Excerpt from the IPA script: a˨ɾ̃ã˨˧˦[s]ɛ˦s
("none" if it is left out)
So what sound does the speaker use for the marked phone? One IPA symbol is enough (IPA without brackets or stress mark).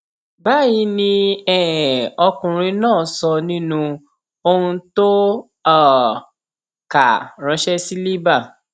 ʃ